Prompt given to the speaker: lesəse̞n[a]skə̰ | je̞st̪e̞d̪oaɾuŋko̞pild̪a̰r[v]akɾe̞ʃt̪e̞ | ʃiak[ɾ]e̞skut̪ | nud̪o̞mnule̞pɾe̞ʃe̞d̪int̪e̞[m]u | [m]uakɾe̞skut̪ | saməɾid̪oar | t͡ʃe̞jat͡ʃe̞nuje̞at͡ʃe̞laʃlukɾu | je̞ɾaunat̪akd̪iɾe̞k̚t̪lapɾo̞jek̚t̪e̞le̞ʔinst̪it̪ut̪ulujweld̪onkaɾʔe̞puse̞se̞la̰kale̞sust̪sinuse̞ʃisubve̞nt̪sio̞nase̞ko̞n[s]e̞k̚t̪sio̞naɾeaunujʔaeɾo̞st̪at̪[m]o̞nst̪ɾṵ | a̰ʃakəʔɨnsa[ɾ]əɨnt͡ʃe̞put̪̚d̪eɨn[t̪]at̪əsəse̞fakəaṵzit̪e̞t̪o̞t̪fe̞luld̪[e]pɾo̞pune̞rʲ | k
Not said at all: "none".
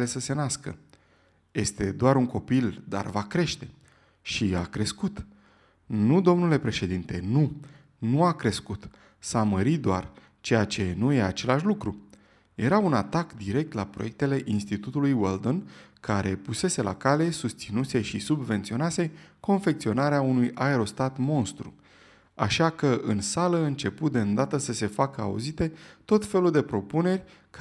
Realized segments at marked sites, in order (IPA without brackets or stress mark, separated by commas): a, v, ɾ, n, n, f, m, l, d̪, e